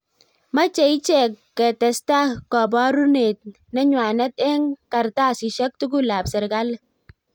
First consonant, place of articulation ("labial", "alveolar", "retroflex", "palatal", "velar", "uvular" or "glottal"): labial